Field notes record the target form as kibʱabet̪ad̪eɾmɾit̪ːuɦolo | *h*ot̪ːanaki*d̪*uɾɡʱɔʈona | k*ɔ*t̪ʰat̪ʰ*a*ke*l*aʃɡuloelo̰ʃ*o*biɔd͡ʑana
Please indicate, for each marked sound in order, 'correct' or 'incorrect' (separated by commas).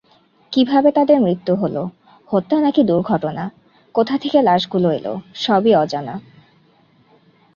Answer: correct, correct, incorrect, incorrect, correct, incorrect